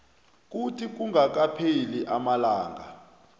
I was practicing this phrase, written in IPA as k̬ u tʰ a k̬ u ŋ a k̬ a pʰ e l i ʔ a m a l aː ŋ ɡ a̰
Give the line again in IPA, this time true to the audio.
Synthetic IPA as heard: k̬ u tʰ i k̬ u ŋ a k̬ a pʰ e l i ʔ a m a l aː ŋ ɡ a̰